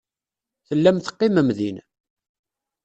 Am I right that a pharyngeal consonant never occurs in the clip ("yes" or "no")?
yes